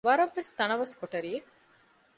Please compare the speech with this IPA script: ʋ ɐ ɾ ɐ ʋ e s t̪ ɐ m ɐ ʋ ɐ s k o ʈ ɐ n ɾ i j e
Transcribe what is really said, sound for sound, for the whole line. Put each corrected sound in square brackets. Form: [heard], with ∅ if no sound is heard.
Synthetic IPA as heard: ʋ ɐ ɾ ɐ [ʋː] e s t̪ ɐ [n] ɐ ʋ ɐ s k o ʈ ɐ [∅] ɾ i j e